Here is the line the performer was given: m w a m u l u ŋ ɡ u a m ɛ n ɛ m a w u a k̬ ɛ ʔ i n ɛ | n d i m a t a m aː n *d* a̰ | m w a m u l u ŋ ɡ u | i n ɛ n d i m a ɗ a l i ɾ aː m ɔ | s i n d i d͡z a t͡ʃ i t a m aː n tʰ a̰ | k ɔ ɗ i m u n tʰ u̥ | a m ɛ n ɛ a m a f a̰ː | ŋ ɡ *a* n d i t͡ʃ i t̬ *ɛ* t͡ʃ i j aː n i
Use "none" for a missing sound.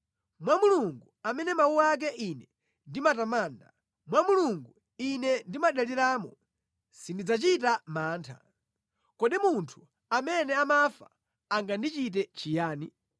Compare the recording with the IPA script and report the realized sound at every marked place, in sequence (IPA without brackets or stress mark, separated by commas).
d, a, ɛ